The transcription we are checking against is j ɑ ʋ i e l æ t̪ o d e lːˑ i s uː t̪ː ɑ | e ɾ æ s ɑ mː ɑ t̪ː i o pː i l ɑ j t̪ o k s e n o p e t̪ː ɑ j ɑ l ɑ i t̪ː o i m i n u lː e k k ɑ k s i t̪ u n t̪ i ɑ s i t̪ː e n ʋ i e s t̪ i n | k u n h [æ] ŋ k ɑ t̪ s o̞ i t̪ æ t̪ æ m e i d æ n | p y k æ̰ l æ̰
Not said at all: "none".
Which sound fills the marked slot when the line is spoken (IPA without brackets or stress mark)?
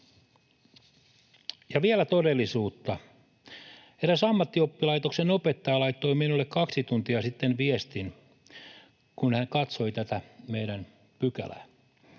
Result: æ